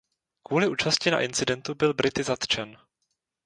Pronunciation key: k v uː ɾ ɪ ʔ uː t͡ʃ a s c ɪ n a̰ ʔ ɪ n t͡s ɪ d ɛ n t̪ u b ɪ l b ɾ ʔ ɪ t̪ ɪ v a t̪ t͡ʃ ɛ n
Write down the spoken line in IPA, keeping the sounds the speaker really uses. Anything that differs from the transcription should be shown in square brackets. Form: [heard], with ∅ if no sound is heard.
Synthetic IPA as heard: k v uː [l] ɪ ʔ uː t͡ʃ a s c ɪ n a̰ ʔ ɪ n t͡s ɪ d ɛ n t̪ u b ɪ l b ɾ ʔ ɪ t̪ ɪ [z] a t̪ t͡ʃ ɛ n